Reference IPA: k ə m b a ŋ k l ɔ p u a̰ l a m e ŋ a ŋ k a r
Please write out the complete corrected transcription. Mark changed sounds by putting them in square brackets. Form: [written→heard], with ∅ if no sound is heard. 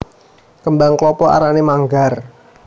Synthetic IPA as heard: k ə m b a ŋ k l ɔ p [u→ɔ] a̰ [l→ɾ] a [m→n] e [ŋ→m] a ŋ [k→ɡ] a r